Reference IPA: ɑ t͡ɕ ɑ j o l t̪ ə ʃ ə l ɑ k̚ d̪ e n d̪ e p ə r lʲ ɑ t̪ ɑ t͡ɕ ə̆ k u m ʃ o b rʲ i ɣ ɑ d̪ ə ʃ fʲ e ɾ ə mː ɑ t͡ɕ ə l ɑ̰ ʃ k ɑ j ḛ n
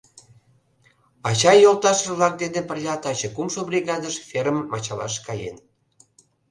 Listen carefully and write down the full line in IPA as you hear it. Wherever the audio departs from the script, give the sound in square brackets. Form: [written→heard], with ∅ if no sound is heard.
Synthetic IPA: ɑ t͡ɕ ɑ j o l t̪ [ə→ɑ] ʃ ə l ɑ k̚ d̪ e n d̪ e p ə r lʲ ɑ t̪ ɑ t͡ɕ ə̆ k u m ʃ o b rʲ i ɣ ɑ d̪ ə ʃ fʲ e ɾ ə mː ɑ t͡ɕ [ə→ɑ] l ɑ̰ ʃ k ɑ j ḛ n